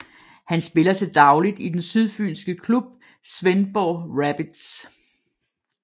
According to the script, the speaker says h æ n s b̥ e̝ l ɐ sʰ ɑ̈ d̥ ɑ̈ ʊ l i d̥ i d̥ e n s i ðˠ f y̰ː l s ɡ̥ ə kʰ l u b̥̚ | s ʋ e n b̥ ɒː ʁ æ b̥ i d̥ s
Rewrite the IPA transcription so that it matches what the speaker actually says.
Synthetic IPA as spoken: h æ n s b̥ e̝ l ɐ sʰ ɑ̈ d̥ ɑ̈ ʊ l i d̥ i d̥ e n s y ðˠ f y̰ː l s ɡ̥ ə kʰ l u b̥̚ | s ʋ e n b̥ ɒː ʁ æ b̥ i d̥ s